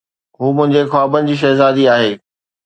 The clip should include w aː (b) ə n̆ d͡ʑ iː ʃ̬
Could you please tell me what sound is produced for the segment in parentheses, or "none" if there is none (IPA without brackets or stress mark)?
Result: b